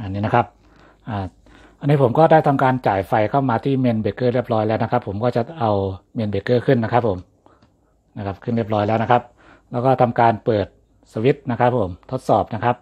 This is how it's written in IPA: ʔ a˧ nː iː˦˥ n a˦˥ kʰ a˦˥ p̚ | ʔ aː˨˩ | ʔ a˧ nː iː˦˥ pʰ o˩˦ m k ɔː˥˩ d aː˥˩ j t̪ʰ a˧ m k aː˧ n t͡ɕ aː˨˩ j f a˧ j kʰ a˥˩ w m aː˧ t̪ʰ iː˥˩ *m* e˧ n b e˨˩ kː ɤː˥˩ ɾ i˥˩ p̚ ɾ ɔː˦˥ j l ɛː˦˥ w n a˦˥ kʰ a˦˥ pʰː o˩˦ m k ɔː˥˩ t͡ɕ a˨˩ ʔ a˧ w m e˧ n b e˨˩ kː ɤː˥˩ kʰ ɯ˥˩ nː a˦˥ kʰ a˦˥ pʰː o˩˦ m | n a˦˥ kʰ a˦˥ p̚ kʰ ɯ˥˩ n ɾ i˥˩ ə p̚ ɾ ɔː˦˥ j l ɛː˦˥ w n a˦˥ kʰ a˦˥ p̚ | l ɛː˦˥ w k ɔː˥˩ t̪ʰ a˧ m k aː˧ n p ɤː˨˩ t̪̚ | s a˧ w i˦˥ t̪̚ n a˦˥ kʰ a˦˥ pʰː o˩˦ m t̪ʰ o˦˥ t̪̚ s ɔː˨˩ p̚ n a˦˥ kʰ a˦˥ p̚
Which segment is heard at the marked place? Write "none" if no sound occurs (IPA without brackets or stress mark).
m